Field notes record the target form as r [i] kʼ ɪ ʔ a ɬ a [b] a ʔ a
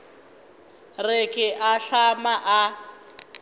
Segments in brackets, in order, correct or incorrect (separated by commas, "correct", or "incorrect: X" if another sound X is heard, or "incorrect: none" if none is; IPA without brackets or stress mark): incorrect: ɪ, incorrect: m